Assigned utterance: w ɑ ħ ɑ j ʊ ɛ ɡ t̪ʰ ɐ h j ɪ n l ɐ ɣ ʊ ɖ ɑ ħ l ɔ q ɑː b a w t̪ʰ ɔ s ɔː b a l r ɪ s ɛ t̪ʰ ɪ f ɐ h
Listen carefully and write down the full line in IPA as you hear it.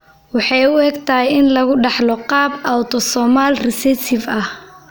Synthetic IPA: w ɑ ħ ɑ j ʊ ɛ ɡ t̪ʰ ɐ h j ɪ n l ɐ ɣ ʊ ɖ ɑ ħ l ɔ q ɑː b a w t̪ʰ ɔ s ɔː m a l r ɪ s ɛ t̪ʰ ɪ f ɐ h